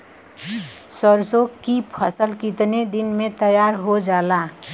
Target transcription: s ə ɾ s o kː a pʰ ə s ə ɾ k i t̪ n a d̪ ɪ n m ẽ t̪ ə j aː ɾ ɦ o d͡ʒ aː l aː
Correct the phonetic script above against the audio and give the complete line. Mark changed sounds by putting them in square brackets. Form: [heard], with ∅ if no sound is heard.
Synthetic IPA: s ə ɾ s o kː [i] pʰ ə s ə [l] k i t̪ n [e] d̪ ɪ n m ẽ t̪ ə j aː ɾ ɦ o d͡ʒ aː l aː